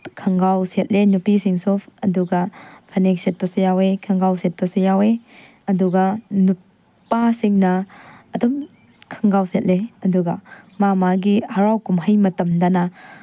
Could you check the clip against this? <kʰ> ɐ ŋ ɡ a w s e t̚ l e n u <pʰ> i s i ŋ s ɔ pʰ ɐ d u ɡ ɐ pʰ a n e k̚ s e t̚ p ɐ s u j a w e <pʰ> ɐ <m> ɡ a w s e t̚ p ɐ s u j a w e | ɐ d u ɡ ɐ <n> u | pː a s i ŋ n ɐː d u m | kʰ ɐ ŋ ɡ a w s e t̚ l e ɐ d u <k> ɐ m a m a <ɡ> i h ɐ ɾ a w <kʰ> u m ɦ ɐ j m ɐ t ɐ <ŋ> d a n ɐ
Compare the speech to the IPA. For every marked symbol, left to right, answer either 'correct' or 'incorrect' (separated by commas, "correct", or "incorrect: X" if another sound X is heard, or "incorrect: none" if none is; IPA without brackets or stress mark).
correct, incorrect: p, incorrect: kʰ, incorrect: ŋ, correct, incorrect: ɡ, correct, incorrect: k, incorrect: m